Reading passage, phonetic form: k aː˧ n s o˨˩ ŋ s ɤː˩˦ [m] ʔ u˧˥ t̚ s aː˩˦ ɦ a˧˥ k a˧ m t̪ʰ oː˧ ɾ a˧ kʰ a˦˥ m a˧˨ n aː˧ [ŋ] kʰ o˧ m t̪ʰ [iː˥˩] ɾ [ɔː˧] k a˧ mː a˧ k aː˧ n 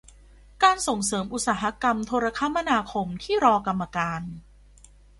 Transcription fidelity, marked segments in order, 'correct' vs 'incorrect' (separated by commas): correct, incorrect, correct, correct